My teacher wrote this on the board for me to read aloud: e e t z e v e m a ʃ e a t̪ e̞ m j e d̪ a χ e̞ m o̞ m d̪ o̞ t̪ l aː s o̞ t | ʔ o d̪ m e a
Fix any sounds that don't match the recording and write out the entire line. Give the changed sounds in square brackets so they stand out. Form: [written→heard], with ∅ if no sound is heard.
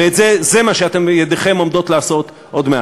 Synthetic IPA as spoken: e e t z e [v→z] e m a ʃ e a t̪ e̞ m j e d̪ [a→e] χ e̞ m o̞ m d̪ o̞ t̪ l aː s o̞ t | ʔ o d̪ m e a